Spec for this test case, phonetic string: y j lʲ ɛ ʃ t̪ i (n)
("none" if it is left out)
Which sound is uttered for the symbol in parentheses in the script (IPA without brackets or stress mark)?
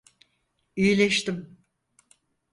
m